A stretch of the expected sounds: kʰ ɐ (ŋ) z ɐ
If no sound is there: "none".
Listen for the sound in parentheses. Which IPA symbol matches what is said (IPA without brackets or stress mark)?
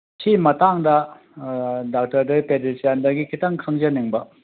ŋ